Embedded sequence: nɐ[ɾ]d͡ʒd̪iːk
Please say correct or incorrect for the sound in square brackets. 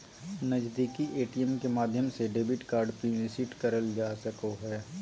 incorrect